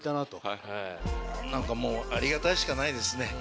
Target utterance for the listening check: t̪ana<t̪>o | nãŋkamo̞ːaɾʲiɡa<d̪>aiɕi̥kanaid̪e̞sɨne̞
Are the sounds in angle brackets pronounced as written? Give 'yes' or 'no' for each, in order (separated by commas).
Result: yes, no